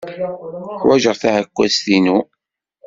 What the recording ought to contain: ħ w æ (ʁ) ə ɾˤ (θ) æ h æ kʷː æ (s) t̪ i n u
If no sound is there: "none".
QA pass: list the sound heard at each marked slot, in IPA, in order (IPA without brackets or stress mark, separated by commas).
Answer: ʒ, θ, s